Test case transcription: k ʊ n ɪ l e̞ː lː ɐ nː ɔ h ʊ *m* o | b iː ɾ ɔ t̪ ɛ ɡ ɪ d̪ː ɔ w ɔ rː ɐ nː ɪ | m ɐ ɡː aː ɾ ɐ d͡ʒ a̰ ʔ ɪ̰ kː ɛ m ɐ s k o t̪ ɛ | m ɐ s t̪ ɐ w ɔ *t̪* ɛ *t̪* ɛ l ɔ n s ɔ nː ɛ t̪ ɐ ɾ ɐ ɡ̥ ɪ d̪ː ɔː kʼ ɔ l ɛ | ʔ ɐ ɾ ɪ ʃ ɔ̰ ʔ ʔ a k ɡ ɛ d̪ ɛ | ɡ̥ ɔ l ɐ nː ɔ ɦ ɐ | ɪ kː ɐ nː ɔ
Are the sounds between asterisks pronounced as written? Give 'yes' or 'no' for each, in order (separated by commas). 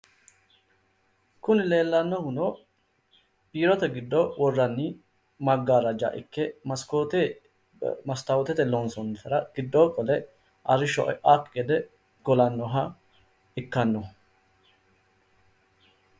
no, yes, yes